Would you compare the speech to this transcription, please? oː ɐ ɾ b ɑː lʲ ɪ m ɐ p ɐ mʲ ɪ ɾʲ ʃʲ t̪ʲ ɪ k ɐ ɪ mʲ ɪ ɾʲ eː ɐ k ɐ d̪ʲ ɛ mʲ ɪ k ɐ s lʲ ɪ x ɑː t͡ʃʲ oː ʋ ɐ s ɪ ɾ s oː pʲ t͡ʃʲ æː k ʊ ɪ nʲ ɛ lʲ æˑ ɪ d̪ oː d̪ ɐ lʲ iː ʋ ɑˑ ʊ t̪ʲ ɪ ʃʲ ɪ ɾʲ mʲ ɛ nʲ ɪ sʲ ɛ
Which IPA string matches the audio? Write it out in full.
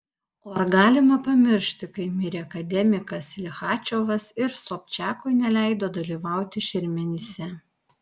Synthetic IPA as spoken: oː ɐ ɾ ɡ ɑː lʲ ɪ m ɐ p ɐ mʲ ɪ ɾʲ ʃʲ t̪ʲ ɪ k ɐ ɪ mʲ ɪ ɾʲ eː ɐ k ɐ d̪ʲ ɛ mʲ ɪ k ɐ s lʲ ɪ x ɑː t͡ʃʲ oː ʋ ɐ s ɪ ɾ s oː pʲ t͡ʃʲ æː k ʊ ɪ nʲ ɛ lʲ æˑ ɪ d̪ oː d̪ ɐ lʲ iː ʋ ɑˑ ʊ t̪ʲ ɪ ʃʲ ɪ ɾʲ mʲ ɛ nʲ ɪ sʲ ɛ